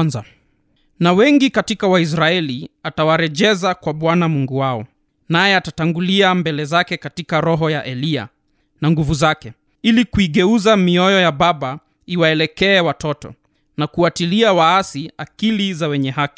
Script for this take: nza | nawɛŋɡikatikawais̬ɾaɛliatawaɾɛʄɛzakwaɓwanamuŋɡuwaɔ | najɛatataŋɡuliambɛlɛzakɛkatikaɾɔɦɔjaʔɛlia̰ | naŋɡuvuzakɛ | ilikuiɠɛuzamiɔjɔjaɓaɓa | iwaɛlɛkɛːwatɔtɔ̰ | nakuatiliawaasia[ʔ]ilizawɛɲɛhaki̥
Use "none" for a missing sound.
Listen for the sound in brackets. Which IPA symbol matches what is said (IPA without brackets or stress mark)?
k